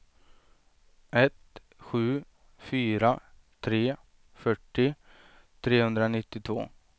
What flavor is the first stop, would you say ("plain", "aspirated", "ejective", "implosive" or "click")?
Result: plain